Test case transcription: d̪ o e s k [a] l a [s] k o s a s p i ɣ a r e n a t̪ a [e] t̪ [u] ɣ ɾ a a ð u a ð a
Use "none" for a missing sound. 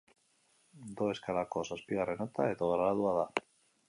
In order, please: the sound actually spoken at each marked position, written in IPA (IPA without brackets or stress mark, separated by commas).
a, none, e, o